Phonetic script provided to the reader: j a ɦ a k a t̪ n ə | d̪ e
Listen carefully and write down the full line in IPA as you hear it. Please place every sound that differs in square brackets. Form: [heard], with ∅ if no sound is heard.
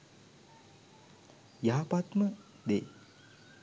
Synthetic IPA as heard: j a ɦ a [p] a t̪ [m] ə | d̪ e